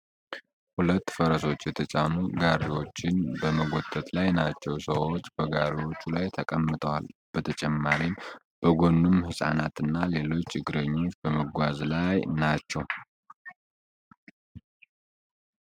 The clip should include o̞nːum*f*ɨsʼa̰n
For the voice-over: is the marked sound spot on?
no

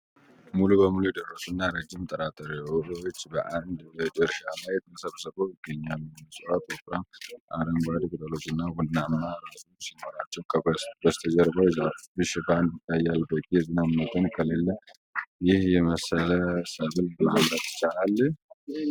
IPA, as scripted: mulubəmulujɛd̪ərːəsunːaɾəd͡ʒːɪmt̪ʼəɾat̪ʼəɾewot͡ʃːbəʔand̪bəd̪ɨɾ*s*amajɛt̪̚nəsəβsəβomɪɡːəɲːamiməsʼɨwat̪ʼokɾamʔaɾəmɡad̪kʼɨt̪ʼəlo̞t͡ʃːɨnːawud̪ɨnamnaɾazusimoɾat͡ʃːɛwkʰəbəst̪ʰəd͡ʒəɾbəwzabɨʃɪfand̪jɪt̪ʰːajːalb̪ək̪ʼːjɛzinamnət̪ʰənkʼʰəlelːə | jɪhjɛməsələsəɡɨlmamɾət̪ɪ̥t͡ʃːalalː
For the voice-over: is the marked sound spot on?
no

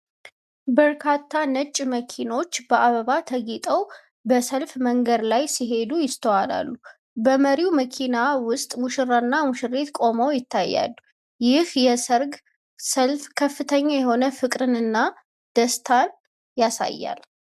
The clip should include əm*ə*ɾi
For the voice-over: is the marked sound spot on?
yes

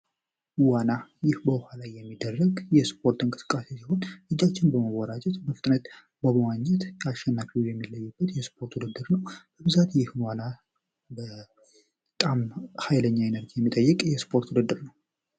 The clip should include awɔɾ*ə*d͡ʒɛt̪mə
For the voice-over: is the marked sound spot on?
no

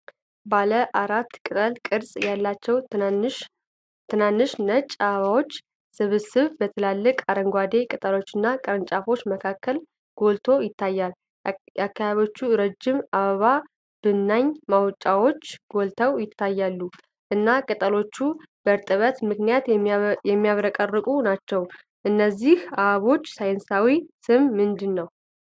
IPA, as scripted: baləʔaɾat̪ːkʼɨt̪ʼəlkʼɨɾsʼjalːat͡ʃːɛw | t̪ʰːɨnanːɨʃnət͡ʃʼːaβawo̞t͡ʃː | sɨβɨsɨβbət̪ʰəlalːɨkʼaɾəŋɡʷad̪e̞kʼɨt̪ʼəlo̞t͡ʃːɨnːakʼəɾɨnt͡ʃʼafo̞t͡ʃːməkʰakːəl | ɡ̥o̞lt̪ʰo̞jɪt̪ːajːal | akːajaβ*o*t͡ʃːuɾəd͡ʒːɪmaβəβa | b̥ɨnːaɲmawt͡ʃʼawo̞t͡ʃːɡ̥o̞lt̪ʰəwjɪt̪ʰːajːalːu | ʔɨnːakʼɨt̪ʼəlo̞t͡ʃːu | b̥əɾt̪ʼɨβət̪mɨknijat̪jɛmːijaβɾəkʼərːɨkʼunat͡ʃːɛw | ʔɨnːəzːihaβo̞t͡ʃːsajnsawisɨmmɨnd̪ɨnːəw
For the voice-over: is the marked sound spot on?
yes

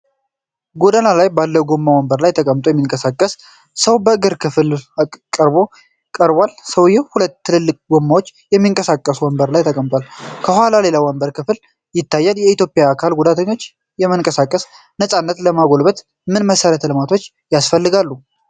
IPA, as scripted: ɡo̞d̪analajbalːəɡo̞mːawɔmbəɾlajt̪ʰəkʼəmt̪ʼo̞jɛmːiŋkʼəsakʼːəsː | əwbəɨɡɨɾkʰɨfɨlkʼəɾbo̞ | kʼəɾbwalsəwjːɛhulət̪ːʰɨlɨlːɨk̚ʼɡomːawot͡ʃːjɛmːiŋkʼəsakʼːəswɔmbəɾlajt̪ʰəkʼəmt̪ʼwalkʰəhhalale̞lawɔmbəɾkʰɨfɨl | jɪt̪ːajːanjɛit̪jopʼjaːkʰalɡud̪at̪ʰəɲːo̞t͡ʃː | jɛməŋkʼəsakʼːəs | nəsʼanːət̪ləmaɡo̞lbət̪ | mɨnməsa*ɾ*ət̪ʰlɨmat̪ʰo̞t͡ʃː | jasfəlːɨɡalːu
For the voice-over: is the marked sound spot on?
yes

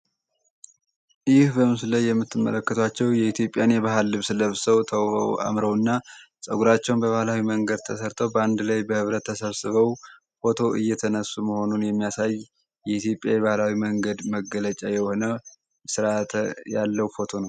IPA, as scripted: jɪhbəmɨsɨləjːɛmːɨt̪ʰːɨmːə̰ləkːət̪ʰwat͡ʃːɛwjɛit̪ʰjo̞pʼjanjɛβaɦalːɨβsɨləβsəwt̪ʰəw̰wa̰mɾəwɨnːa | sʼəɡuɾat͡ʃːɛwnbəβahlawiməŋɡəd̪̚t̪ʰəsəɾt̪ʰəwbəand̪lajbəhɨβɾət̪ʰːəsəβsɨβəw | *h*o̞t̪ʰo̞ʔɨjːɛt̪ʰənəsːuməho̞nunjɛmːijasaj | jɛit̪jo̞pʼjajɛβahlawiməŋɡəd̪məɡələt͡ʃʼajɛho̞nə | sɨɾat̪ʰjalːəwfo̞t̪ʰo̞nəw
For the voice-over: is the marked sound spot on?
no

